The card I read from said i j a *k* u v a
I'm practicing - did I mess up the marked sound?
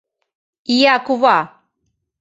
no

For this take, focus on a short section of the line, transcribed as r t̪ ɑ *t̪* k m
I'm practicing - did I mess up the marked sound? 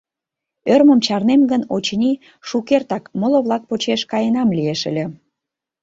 yes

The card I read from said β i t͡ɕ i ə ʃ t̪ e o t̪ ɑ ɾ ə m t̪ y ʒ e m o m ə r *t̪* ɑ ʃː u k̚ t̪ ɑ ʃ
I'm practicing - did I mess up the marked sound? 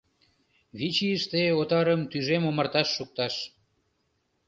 no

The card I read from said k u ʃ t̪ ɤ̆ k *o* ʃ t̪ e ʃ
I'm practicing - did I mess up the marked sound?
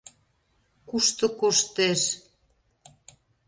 no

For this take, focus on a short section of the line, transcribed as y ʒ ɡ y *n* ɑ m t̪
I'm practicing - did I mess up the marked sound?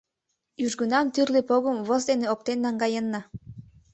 no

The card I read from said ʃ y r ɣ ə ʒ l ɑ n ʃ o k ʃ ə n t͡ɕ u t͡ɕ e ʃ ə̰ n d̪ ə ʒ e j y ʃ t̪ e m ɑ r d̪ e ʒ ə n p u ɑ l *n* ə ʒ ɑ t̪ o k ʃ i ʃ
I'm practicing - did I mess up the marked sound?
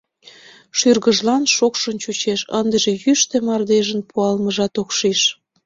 yes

